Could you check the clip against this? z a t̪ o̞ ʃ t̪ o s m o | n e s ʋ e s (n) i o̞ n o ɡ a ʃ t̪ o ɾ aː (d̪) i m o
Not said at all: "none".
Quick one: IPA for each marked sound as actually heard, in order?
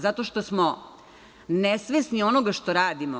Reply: n, d̪

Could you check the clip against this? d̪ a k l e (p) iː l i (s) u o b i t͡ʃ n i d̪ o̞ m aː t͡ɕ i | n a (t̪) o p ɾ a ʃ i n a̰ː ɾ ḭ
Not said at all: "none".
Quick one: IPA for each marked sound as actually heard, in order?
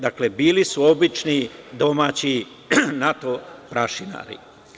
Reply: b, s, t̪

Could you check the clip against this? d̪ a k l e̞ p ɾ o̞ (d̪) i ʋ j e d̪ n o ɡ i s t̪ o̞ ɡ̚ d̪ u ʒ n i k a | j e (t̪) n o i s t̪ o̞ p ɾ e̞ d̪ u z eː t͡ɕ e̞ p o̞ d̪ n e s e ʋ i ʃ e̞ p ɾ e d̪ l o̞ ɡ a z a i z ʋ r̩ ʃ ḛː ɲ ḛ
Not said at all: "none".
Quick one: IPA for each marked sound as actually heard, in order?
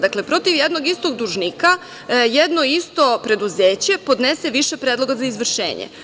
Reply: t̪, d̪

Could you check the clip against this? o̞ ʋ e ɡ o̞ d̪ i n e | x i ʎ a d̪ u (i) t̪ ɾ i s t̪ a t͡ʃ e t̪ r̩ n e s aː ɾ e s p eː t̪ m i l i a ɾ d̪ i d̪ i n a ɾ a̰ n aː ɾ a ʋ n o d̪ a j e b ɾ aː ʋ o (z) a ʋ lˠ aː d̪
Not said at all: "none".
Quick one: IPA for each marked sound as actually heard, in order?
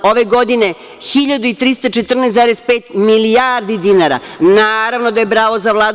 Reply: i, z

